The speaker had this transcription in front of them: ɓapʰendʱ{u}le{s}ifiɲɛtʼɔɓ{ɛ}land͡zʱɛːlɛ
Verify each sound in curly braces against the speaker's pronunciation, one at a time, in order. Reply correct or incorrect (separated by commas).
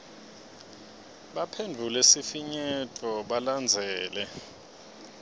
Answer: correct, correct, incorrect